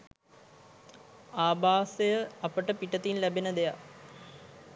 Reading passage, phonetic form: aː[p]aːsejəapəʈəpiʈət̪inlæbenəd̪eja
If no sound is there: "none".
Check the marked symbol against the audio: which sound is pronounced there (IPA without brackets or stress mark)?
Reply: b